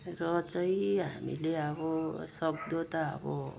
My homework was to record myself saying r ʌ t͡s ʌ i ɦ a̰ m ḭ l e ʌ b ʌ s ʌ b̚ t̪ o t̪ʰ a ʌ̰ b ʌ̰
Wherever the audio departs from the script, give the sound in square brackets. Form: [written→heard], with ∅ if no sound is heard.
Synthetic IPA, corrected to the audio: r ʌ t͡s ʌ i ɦ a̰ m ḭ l e ʌ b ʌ s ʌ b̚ [t̪→d̪] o [t̪ʰ→t̪] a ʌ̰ b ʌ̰